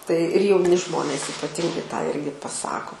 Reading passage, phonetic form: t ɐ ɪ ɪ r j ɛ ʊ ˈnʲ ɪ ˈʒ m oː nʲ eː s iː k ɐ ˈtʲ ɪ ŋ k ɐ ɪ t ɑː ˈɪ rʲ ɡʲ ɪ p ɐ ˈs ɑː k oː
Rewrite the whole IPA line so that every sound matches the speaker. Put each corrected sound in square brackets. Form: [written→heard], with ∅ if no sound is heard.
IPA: t ɐ ɪ ɪ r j ɛ ʊ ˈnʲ ɪ ˈʒ m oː nʲ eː s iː [k→p] ɐ ˈtʲ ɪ ŋ [k→ɡ] ɐ ɪ t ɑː ˈɪ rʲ ɡʲ ɪ p ɐ ˈs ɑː k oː